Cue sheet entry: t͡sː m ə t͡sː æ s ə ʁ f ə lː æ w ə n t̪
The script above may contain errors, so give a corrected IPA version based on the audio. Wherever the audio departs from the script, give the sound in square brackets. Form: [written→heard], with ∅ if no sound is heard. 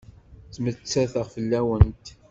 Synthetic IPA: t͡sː m ə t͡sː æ [s→θ] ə ʁ f ə lː æ w ə n t̪